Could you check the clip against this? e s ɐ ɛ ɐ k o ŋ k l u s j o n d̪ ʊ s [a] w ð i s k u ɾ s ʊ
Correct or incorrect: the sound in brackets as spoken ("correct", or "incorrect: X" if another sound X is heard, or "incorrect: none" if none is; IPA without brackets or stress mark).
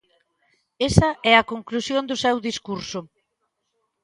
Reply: incorrect: ɛ